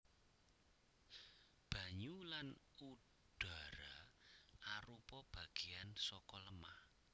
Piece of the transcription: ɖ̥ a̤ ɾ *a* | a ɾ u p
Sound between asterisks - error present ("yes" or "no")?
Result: no